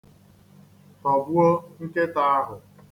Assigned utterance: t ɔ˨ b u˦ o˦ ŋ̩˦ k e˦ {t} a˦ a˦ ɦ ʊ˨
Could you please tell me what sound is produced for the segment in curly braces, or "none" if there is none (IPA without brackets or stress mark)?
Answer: t